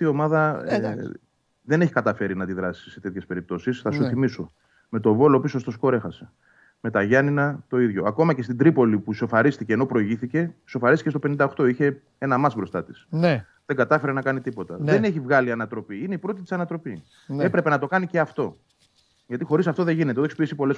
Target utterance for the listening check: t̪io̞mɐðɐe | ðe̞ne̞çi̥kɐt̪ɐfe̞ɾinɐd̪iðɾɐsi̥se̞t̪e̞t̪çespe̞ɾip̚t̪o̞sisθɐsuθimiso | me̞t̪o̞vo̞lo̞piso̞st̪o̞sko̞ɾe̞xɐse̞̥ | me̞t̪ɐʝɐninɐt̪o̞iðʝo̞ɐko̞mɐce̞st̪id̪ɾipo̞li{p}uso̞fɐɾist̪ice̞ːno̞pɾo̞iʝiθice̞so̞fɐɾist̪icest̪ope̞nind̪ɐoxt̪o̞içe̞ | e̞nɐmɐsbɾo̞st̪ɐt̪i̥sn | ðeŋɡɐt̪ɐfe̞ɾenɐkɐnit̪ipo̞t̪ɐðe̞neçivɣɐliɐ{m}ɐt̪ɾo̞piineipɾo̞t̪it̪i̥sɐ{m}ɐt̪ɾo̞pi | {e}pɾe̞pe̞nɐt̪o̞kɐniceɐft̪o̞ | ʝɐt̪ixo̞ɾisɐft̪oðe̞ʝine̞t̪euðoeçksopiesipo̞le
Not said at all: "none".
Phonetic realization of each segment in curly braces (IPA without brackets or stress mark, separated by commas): p, n, n, e